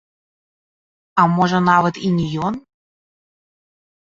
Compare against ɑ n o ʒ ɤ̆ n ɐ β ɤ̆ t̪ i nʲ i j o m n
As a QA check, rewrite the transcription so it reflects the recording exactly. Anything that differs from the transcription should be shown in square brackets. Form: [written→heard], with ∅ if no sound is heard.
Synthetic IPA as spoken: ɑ [n→m] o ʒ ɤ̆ n [ɐ→ɑ] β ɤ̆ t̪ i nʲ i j o [m→∅] n